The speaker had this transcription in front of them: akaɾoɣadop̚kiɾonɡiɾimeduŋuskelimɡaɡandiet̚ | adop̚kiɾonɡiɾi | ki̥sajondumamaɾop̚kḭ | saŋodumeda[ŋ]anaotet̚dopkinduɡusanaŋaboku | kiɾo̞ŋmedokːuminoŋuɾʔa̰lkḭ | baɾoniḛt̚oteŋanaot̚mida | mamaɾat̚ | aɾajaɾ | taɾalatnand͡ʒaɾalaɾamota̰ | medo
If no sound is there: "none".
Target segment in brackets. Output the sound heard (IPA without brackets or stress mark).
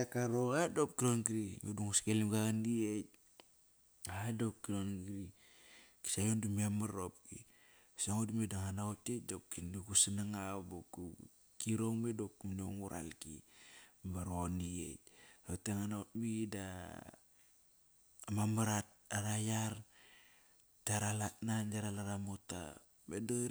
ŋ